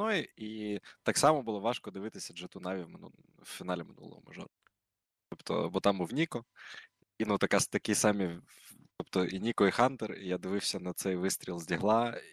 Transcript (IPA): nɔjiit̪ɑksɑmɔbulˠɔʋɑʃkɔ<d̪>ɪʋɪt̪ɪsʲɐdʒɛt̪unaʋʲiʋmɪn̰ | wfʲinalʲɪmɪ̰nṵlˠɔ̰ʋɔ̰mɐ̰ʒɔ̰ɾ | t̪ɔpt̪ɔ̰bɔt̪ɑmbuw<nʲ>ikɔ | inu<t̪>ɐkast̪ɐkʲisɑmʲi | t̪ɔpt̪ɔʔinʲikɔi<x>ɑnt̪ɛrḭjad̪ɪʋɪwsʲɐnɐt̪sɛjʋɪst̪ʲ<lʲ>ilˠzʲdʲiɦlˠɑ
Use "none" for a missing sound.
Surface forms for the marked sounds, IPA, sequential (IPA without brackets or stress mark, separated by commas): d̪, nʲ, t̪, x, ɾʲ